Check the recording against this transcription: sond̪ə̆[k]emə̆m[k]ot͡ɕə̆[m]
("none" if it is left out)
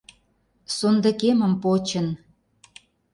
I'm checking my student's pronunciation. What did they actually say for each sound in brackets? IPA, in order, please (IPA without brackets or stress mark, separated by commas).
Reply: k, p, n